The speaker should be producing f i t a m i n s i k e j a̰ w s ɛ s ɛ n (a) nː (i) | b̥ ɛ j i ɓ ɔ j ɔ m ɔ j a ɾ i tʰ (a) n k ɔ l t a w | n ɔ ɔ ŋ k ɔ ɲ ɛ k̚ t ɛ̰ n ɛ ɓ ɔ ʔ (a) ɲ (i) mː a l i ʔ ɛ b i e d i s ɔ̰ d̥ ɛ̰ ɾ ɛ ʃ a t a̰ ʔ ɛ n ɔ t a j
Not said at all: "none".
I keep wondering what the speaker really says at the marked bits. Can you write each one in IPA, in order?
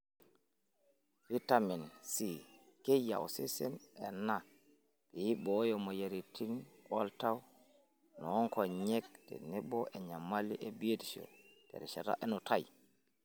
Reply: ɛ, a, i, ɛ, a

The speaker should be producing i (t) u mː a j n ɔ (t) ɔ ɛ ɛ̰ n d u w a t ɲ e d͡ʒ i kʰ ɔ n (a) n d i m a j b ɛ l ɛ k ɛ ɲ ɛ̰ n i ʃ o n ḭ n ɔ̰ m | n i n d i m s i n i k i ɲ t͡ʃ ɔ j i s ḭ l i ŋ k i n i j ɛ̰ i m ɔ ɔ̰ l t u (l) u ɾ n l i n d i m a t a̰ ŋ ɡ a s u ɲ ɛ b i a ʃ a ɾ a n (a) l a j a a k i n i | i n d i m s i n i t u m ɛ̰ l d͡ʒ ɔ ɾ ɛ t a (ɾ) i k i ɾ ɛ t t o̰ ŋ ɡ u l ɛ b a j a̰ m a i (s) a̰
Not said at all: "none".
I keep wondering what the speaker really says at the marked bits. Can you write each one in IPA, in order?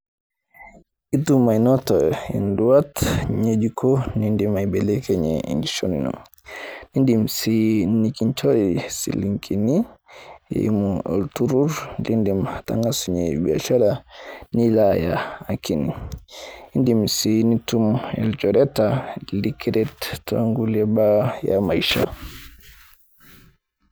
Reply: t, t, i, ɾ, i, l, ʃ

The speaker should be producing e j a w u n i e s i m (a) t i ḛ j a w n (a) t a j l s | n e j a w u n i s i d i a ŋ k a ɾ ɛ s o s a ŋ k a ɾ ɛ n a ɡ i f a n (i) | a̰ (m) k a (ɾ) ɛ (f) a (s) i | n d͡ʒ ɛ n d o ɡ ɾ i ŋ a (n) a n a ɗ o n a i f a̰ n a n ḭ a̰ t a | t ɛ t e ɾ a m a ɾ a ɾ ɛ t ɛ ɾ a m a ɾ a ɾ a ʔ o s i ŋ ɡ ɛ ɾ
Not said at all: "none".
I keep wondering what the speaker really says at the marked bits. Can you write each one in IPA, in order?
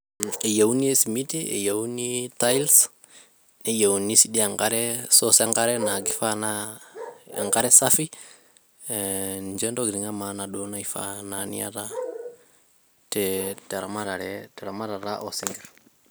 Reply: i, i, a, ŋ, ɾ, s, f, m

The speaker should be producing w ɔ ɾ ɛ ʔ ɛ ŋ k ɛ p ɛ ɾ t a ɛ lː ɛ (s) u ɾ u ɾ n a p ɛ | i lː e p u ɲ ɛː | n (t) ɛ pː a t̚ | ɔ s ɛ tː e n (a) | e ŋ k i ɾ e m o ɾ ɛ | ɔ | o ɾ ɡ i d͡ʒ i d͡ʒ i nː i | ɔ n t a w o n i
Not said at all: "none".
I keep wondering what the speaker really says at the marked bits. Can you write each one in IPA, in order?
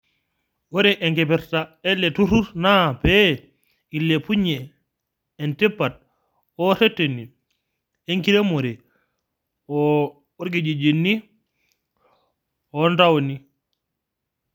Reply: t, t, i

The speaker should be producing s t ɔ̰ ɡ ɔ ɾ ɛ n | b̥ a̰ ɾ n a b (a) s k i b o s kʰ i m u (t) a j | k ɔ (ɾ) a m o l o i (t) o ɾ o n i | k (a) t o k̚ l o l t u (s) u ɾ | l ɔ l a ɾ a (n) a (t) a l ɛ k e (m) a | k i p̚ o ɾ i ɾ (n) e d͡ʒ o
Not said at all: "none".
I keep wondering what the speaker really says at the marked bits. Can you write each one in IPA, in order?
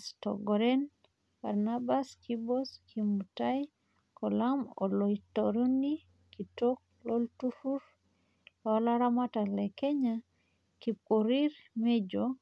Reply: a, t, l, t, i, f, m, t, ɲ, m

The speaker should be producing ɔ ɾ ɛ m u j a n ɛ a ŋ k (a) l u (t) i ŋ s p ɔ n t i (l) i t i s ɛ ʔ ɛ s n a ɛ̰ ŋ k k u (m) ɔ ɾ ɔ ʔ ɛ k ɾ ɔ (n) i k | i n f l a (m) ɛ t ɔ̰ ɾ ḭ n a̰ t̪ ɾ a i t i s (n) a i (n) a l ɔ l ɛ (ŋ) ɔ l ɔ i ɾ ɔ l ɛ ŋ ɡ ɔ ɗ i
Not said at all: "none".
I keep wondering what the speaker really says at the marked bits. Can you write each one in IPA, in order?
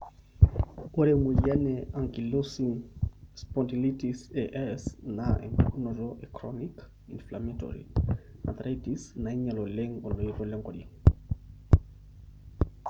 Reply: i, s, l, n, n, m, n, ɲ, ŋ

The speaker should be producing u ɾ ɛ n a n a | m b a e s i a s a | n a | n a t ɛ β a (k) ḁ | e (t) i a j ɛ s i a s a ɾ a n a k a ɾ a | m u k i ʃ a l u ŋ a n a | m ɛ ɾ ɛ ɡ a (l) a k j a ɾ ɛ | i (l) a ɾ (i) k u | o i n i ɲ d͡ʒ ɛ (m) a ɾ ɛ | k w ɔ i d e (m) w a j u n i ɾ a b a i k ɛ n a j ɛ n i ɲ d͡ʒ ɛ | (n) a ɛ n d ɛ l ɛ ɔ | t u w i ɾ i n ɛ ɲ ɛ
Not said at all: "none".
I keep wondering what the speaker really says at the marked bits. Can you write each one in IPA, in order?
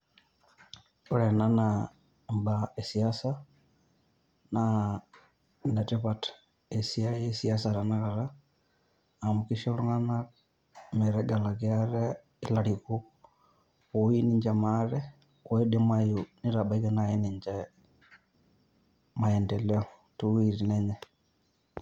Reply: t, s, l, l, i, m, m, m

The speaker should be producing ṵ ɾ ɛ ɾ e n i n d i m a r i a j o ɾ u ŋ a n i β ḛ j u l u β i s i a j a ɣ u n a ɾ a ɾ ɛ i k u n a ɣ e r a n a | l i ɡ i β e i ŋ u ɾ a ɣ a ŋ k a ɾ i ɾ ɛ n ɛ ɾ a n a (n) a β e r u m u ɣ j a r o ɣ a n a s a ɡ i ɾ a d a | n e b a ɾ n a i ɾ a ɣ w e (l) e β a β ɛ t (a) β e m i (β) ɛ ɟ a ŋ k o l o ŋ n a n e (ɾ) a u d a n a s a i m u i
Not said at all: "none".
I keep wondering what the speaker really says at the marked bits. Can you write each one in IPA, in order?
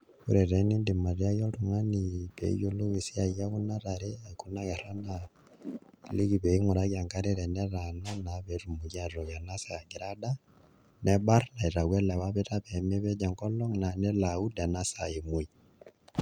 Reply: n, l, a, β, l

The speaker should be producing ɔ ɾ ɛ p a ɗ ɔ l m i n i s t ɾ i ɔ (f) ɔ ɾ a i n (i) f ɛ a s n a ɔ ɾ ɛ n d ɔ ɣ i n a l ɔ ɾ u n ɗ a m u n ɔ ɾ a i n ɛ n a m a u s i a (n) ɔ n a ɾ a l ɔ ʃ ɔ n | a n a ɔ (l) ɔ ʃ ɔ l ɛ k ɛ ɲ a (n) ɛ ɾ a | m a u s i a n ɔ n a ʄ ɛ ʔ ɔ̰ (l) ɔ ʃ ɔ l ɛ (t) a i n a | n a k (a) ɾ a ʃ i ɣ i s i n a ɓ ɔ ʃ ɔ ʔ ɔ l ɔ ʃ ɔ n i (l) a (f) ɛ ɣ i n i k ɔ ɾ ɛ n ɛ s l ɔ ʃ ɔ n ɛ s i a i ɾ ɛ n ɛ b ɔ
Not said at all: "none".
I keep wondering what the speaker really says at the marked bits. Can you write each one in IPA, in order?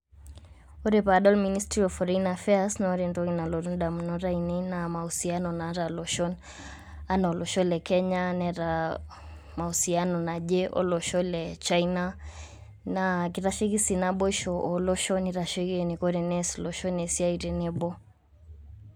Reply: f, a, n, l, n, l, t͡ʃ, i, ɾ, ʃ

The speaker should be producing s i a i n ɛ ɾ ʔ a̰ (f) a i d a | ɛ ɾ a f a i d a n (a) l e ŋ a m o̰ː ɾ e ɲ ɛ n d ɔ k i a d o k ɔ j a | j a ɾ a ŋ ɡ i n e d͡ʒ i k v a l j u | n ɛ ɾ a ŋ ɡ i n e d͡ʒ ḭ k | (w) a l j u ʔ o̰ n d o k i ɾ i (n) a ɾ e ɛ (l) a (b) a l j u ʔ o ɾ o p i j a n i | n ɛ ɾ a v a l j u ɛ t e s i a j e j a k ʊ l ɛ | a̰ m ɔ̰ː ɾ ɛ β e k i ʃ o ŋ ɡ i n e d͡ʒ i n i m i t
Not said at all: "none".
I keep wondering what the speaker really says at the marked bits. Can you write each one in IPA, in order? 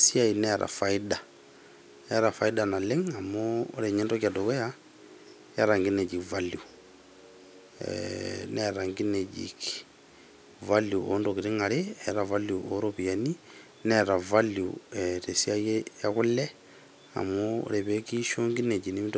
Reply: f, a, v, ŋ, ɾ, v

